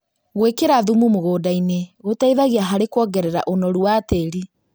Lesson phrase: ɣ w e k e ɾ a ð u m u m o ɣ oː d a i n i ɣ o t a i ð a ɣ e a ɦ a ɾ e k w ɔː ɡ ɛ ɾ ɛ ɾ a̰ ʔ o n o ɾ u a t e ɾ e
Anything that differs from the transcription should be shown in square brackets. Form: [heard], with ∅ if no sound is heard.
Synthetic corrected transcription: ɣ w e k e ɾ a ð u m u m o ɣ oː d a i n [e] ɣ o t a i ð a ɣ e a ɦ a ɾ e k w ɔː ɡ ɛ ɾ ɛ ɾ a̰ ʔ o n [ɔ] ɾ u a t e ɾ [i]